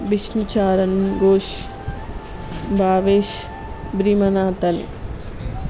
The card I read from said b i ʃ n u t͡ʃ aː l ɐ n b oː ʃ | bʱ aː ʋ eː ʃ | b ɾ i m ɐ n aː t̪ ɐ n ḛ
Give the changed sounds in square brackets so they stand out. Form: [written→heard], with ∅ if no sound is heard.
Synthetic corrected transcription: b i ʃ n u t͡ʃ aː [l→ɾ] ɐ n [b→ɡ] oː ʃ | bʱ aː ʋ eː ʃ | b ɾ i m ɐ n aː t̪ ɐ n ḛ

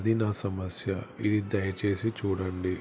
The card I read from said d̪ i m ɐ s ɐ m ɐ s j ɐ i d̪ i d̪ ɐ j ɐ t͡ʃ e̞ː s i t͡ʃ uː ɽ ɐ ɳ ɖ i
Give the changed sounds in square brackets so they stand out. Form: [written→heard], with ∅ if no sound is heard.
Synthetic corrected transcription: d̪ i [m→n] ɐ s ɐ m ɐ s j ɐ i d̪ i d̪ ɐ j ɐ t͡ʃ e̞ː s i t͡ʃ uː ɽ ɐ ɳ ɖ i

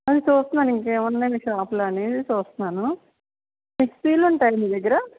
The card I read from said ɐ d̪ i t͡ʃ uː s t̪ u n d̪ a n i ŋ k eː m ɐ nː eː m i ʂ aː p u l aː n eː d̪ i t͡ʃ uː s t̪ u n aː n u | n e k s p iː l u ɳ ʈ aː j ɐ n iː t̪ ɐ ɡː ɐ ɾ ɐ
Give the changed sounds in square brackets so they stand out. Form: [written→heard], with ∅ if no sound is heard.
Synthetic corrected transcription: ɐ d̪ i t͡ʃ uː s t̪ u n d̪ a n i ŋ k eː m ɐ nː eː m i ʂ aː p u l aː n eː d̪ i t͡ʃ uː s t̪ u n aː n u | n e k s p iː l u ɳ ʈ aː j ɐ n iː [t̪→d̪] ɐ ɡː ɐ ɾ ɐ

